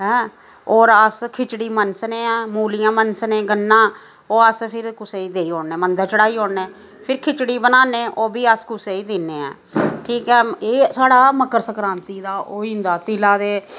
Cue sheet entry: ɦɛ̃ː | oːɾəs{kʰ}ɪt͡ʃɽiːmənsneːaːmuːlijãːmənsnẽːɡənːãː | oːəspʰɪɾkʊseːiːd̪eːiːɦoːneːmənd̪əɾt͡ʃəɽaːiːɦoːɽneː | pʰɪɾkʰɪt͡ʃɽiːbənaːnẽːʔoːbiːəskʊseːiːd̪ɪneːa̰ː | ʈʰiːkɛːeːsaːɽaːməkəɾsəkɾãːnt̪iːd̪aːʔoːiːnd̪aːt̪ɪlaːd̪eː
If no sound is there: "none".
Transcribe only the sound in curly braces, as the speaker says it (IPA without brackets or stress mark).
kʰ